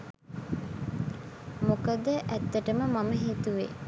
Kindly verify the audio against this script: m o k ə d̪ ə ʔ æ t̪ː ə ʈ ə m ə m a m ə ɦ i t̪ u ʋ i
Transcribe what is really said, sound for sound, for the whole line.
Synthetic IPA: m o k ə d̪ ə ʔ æ t̪ː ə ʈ ə m ə m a m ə ɦ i t̪ u ʋ e